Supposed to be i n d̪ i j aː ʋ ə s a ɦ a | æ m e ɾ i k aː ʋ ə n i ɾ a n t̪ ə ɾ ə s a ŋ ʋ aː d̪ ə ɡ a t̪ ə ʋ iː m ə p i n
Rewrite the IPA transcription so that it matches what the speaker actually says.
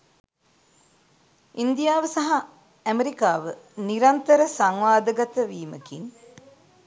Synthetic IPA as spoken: i n d̪ i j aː ʋ ə s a ɦ a | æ m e ɾ i k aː ʋ ə n i ɾ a n t̪ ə ɾ ə s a ŋ ʋ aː d̪ ə ɡ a t̪ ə ʋ iː m ə k i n